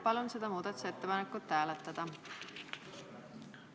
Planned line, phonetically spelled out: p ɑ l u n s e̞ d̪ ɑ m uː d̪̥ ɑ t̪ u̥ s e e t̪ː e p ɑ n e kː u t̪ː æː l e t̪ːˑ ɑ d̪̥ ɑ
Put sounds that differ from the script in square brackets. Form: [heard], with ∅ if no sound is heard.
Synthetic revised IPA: p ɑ l u n s e̞ d̪ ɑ m uː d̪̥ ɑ t̪ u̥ s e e t̪ː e p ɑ n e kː u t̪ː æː l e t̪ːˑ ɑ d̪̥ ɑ